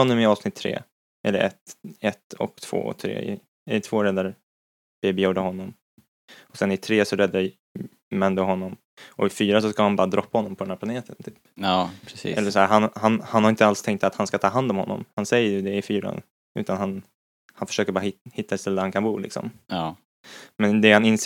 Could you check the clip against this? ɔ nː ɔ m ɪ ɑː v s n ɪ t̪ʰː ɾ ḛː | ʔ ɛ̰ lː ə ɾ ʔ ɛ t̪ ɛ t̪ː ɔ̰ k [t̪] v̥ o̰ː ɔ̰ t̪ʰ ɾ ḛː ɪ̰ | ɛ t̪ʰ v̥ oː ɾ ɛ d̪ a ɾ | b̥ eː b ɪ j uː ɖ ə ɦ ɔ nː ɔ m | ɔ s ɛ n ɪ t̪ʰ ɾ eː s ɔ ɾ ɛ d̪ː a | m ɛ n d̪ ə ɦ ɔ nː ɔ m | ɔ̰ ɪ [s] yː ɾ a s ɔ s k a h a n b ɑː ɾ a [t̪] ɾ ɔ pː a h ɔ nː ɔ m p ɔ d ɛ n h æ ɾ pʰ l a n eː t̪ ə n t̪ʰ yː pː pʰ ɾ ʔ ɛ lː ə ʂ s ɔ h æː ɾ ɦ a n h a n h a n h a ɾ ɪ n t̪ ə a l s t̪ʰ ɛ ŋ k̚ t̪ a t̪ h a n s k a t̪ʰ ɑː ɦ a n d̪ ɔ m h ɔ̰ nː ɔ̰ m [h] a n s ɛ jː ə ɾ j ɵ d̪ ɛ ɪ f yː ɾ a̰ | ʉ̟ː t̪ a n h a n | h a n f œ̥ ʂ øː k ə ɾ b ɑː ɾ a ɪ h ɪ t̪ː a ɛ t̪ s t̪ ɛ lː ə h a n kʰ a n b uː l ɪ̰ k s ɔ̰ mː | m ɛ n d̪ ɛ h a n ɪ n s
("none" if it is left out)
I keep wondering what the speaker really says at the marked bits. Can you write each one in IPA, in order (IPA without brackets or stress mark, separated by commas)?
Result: t̪ʰ, f, d̪, h